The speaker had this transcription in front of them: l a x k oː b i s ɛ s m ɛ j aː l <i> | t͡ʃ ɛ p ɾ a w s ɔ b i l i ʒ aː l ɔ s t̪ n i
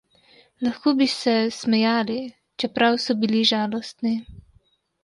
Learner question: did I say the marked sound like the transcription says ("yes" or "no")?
yes